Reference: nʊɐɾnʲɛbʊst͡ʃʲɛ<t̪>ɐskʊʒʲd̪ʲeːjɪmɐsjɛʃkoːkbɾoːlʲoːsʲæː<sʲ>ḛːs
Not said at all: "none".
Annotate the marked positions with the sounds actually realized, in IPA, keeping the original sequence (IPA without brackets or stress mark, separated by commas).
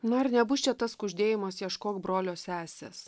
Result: t̪, sʲ